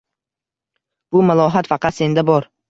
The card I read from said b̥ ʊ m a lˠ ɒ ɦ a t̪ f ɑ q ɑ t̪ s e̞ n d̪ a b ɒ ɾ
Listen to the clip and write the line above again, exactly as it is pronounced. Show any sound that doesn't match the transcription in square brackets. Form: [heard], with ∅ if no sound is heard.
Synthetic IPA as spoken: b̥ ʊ m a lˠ ɒ ɦ a t̪ f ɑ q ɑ t̪ s e̞ n d̪ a b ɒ ɾ